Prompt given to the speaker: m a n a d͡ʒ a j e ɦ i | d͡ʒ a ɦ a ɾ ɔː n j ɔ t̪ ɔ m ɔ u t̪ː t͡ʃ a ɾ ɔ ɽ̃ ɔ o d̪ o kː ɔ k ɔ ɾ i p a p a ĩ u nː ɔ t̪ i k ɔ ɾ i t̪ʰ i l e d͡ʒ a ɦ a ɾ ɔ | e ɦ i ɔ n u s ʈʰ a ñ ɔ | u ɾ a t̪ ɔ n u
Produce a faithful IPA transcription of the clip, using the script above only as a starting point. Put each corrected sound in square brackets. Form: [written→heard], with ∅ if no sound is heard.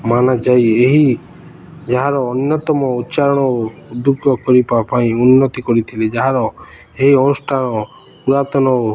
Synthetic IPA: m a n a d͡ʒ a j e ɦ i | d͡ʒ a ɦ a ɾ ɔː n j ɔ t̪ ɔ m ɔ u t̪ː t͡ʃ a ɾ ɔ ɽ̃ ɔ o d̪ [o→u] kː ɔ k ɔ ɾ i p a p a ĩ u nː ɔ t̪ i k ɔ ɾ i t̪ʰ i l e d͡ʒ a ɦ a ɾ ɔ | e ɦ i ɔ n u s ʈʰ a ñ ɔ | u ɾ a t̪ ɔ n [u→ɔ]